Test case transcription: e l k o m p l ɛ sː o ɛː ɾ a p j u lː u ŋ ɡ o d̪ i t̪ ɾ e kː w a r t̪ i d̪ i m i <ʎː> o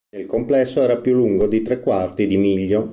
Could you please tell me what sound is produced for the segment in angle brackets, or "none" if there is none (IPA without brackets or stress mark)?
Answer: ʎː